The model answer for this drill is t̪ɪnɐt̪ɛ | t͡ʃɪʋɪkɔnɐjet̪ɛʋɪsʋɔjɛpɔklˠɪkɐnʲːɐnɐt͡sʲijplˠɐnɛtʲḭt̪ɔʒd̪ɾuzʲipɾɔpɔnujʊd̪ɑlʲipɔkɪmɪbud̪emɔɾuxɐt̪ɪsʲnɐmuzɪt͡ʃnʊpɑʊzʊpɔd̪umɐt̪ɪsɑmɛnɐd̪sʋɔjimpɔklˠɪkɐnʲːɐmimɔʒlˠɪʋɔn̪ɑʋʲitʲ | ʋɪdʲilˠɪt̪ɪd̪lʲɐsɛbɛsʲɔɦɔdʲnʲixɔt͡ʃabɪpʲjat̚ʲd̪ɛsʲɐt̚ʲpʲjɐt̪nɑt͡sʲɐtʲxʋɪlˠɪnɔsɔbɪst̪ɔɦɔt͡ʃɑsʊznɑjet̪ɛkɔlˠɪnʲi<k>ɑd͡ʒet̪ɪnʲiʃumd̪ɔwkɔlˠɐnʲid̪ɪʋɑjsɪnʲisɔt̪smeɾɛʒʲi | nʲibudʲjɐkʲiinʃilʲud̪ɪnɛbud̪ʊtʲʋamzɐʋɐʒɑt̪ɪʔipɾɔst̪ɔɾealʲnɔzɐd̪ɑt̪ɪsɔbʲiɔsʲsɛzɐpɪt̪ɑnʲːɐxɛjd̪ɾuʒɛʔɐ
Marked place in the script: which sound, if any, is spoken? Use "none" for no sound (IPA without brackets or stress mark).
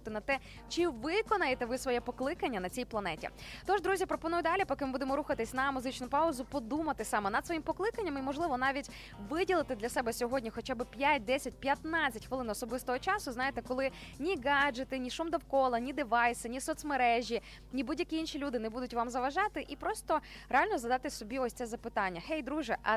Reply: ɡ